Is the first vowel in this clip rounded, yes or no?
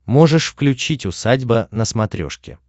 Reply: yes